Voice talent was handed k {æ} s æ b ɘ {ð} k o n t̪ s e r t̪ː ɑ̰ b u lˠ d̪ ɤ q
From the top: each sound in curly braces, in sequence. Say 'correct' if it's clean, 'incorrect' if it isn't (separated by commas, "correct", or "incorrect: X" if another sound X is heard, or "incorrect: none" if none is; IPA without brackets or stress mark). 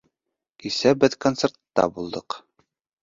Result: incorrect: i, correct